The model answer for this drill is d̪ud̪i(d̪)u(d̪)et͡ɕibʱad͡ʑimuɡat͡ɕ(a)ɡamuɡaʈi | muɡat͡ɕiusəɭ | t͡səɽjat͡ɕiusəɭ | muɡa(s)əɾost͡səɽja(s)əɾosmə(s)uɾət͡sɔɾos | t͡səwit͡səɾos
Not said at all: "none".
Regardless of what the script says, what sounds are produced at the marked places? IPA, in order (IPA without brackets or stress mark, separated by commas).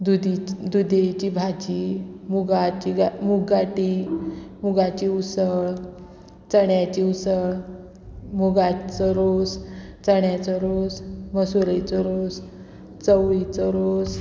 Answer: d̪, d̪, i, t͡s, t͡s, s